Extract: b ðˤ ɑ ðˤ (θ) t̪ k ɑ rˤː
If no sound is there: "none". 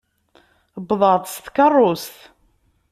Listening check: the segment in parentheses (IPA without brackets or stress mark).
s